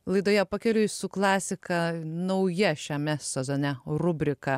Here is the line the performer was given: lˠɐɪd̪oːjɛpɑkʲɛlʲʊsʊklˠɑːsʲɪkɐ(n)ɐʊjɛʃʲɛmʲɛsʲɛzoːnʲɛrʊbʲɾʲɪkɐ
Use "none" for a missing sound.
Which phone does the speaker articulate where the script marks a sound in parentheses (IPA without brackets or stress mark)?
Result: n